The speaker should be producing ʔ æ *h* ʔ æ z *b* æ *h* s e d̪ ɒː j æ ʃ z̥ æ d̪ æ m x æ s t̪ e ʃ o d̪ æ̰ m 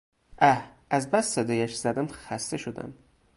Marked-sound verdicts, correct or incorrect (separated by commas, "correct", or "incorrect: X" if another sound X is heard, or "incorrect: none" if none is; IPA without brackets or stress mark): correct, correct, incorrect: s